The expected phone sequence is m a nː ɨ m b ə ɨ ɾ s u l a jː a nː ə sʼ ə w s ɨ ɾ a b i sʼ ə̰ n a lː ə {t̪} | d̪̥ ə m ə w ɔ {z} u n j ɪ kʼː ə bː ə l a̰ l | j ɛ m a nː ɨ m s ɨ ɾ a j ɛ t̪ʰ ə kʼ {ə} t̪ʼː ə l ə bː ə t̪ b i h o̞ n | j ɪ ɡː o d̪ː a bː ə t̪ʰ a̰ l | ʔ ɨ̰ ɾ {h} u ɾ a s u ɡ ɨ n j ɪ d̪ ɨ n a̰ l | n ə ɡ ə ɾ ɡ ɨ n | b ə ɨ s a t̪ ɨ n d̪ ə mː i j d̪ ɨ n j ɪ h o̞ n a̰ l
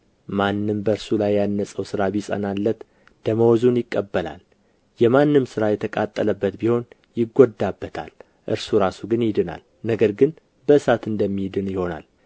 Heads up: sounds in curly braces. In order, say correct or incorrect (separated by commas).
correct, correct, incorrect, incorrect